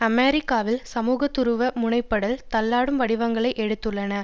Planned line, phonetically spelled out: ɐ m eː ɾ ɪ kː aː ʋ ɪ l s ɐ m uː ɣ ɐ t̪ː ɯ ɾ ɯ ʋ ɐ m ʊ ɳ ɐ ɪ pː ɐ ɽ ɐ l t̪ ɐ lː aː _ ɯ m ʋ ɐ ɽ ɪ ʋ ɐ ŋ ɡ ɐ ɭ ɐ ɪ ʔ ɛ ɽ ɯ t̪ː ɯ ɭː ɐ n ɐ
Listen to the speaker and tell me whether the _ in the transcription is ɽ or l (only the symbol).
ɽ